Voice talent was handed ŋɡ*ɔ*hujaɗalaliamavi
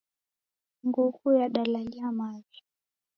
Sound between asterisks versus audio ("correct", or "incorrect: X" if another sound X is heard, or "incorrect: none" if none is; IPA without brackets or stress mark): incorrect: u